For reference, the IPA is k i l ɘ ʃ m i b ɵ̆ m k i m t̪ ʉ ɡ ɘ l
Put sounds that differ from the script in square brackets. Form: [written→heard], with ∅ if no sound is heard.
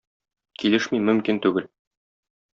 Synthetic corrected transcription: k i l ɘ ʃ m i [b→m] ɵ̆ m k i [m→n] t̪ ʉ ɡ ɘ l